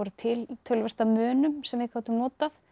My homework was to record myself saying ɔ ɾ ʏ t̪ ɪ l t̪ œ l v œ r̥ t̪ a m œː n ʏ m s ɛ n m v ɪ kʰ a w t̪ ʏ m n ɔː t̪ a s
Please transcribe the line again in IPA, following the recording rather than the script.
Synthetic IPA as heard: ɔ ɾ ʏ t̪ʰ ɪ l t̪ʰ œ l v ɛ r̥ t̪ a m œː n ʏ m s ɛ m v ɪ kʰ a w t̪ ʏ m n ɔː t̪ a θ